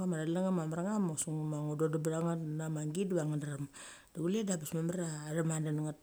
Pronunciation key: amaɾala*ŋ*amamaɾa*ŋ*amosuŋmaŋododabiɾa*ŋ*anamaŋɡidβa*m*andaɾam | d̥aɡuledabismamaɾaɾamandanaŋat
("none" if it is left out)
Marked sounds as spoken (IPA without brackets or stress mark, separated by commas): ŋ, ŋ, ŋ, ŋ